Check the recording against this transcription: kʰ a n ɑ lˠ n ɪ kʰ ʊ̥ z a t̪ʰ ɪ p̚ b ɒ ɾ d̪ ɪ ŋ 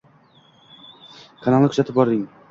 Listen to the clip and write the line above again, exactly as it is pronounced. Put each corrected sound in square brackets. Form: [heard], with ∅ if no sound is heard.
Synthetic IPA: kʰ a n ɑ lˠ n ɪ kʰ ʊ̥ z a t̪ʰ ɪ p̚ b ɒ ɾ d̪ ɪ ŋ

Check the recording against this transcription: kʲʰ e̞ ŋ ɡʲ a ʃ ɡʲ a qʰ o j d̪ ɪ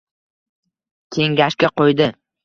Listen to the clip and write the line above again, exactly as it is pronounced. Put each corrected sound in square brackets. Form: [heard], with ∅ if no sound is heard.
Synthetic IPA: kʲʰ e̞ ŋ ɡʲ a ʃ [kʲ] a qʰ o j d̪ ɪ

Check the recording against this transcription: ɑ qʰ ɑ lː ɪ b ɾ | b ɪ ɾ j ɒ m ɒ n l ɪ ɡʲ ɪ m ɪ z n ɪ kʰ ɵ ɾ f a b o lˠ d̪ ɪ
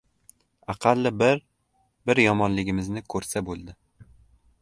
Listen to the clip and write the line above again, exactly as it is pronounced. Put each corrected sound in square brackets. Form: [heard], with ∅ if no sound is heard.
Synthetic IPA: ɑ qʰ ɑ lː ɪ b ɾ | b ɪ ɾ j ɒ m ɒ n l ɪ ɡʲ ɪ m ɪ z n ɪ kʰ ɵ ɾ [s] a b o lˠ d̪ ɪ

